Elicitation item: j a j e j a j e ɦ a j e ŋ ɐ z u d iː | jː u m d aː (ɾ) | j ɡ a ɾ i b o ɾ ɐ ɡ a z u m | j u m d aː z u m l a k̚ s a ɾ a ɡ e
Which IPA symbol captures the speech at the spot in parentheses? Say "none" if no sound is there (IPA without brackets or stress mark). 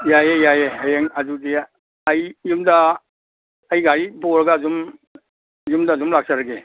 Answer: none